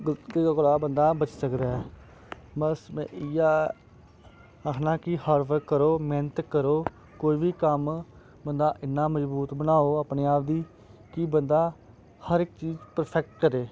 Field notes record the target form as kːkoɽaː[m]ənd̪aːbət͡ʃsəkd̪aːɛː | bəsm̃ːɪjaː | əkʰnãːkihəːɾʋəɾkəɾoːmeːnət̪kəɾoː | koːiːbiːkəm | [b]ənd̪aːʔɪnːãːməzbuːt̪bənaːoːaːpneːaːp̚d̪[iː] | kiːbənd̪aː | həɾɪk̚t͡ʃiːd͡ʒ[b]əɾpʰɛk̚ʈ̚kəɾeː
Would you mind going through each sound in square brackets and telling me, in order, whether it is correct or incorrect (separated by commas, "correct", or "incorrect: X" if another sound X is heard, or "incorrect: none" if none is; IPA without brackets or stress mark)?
incorrect: b, correct, correct, incorrect: p